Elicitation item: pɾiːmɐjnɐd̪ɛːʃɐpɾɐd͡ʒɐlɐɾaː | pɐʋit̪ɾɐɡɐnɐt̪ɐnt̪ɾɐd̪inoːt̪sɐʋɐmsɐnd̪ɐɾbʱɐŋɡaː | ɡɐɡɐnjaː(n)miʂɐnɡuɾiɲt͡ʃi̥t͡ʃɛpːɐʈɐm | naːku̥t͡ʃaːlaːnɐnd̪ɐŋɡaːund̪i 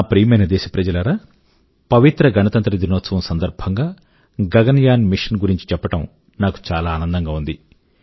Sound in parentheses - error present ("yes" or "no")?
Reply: no